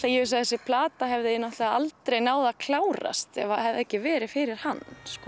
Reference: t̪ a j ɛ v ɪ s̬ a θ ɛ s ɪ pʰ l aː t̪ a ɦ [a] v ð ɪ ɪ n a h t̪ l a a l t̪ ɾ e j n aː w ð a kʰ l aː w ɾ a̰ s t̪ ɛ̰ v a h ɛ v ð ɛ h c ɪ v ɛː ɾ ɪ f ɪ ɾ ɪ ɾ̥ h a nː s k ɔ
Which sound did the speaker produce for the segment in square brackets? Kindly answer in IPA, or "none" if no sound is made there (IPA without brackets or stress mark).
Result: ɛ